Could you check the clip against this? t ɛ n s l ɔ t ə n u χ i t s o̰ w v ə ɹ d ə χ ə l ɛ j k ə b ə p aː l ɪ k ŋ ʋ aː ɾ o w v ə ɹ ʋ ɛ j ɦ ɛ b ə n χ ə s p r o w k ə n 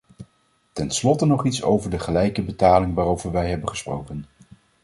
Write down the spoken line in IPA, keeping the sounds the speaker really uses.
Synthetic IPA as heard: t ɛ n s l ɔ t ə n ɔ χ i t s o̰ w v ə ɹ d ə χ ə l ɛ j k ə b ə t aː l ɪ ŋ ʋ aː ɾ o w v ə ɹ ʋ ɛ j ɦ ɛ b ə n χ ə s p r o w k ə n